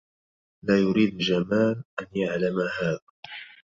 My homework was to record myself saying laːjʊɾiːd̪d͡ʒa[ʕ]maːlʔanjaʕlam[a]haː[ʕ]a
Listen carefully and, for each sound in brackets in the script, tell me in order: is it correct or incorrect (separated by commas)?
incorrect, correct, incorrect